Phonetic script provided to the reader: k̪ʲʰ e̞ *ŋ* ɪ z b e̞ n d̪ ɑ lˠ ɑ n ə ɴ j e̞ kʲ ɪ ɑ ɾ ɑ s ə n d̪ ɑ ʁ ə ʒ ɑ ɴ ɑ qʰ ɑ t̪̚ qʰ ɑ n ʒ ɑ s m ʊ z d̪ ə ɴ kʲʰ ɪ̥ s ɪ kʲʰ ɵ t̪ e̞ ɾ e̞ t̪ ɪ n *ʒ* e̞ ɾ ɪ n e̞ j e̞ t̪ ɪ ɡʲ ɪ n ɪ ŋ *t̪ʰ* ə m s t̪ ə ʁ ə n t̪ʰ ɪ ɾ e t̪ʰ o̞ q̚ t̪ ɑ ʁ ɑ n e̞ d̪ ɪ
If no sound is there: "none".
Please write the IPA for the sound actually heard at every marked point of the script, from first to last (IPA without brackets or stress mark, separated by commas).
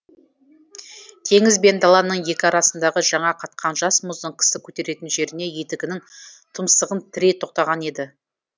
ŋ, ʒ, t̪ʰ